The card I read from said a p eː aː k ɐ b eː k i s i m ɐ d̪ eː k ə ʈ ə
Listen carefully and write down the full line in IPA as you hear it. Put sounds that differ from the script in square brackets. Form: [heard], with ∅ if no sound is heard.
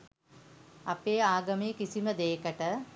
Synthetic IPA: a p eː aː [ɡ] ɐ [m] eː k i s i m [ə] d̪ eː k ə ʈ ə